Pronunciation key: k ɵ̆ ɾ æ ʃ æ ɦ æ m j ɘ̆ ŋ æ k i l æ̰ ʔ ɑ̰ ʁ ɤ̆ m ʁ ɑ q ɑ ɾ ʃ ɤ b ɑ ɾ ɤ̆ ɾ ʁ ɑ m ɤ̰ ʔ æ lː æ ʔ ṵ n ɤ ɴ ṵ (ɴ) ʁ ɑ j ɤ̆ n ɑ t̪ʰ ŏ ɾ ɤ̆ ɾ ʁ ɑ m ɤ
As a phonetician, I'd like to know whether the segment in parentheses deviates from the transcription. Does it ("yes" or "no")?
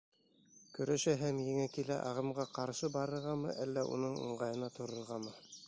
no